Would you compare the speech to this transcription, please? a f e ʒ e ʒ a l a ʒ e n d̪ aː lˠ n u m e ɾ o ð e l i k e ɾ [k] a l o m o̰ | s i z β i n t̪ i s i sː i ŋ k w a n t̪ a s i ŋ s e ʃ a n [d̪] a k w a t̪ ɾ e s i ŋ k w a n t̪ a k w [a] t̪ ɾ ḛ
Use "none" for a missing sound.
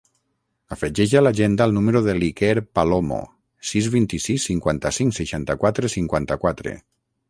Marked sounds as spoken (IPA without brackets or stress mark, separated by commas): p, t̪, a